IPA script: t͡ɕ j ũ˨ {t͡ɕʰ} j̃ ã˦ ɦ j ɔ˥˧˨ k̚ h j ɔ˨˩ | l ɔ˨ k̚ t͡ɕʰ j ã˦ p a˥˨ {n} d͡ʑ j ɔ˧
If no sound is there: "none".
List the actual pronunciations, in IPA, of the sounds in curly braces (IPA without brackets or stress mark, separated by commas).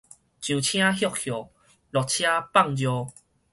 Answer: t͡ɕʰ, ŋ